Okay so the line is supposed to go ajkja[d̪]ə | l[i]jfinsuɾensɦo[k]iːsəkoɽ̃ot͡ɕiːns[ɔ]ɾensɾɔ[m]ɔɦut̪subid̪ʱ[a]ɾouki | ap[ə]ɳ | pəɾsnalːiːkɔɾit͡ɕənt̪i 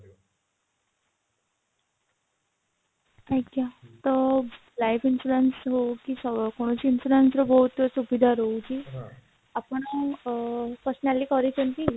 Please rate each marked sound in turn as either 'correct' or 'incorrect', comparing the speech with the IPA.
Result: incorrect: t̪, incorrect: a, correct, incorrect: u, incorrect: b, correct, correct

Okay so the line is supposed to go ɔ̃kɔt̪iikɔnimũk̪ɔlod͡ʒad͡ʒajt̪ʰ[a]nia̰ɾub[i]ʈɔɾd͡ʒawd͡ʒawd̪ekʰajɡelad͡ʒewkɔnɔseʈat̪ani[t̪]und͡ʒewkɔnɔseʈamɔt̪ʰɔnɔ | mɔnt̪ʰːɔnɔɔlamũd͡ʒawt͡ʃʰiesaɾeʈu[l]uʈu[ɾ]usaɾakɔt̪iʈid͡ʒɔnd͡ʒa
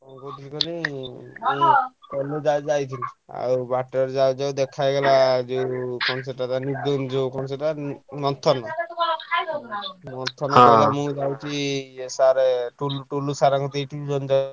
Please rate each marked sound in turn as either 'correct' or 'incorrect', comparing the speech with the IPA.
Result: incorrect: i, incorrect: a, incorrect: d̪, correct, incorrect: l

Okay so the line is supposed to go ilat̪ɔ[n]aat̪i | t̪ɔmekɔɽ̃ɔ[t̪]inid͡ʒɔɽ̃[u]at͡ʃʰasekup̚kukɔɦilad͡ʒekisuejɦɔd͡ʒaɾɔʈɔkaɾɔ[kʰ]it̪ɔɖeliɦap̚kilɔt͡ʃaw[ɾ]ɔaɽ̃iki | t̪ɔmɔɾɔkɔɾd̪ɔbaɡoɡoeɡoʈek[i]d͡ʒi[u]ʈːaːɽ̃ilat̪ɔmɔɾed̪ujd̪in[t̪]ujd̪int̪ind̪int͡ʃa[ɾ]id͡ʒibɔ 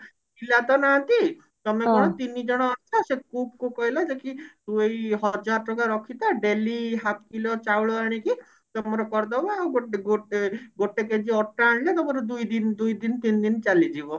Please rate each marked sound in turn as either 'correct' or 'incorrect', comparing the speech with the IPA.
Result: correct, correct, incorrect: ɔ, correct, incorrect: ɭ, incorrect: e, incorrect: ɔ, incorrect: d̪, incorrect: l

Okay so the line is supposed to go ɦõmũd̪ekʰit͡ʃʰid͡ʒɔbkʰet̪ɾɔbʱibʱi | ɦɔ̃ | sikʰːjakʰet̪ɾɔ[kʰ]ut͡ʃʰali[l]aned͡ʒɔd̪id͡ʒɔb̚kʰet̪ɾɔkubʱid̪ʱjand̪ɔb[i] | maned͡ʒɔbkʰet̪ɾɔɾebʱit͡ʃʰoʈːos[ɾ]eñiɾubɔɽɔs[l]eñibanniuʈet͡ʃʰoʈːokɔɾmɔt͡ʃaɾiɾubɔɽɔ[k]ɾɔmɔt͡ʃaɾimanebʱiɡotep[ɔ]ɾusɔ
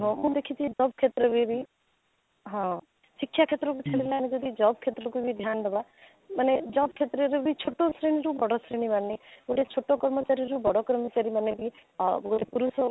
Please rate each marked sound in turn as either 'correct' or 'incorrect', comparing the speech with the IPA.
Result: incorrect: k, correct, incorrect: a, correct, incorrect: ɾ, correct, incorrect: u

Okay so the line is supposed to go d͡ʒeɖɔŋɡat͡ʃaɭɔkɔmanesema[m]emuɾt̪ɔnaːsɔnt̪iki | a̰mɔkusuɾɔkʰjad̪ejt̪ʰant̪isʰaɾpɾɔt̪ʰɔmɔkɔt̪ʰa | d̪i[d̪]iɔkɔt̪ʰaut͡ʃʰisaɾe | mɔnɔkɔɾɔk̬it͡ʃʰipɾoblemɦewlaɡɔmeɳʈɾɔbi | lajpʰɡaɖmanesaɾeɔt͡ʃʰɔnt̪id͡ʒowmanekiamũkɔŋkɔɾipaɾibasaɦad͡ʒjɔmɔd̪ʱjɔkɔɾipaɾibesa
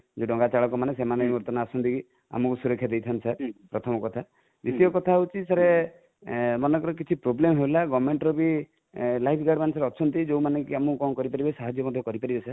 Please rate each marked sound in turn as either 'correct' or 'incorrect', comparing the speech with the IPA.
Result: incorrect: n, incorrect: t̪

